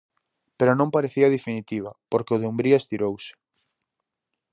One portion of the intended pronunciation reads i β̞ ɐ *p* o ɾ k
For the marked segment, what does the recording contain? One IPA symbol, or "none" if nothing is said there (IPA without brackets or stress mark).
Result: p